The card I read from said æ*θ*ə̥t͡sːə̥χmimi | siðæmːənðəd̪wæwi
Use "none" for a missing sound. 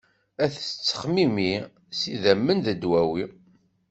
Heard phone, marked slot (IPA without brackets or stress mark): θ